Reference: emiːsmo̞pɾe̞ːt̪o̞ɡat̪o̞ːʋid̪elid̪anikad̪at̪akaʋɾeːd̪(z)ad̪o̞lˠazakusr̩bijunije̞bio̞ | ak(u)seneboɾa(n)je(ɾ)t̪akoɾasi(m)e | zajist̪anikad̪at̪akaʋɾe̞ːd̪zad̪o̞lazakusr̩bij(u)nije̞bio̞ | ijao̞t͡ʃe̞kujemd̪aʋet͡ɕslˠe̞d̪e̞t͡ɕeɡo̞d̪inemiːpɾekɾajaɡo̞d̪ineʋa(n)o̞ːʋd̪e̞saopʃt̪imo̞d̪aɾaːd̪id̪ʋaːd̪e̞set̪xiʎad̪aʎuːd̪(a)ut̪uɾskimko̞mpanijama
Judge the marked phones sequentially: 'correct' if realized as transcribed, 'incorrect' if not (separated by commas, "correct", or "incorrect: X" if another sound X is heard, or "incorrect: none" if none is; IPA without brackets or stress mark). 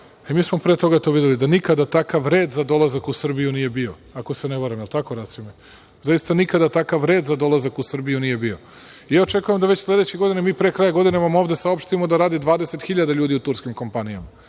correct, incorrect: o, incorrect: m, incorrect: l, correct, correct, incorrect: m, incorrect: i